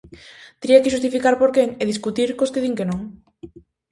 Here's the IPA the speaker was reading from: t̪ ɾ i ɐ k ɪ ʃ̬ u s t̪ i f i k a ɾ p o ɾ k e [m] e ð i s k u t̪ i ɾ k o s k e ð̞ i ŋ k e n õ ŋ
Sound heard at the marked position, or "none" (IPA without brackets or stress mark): ŋ